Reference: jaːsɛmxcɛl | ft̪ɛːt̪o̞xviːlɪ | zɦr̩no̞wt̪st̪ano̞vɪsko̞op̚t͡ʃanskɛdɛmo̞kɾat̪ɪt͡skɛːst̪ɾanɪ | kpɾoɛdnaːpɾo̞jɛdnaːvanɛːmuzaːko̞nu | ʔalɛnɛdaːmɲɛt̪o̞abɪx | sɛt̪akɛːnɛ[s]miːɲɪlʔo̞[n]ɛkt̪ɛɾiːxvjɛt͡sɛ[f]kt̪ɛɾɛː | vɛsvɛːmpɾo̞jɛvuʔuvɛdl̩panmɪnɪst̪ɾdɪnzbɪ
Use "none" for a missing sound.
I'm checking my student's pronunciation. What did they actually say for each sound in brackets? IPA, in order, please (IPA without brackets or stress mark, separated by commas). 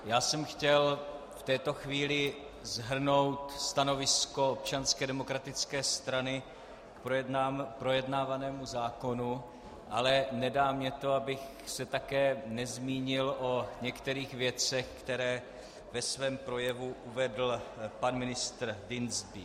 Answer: z, ɲ, x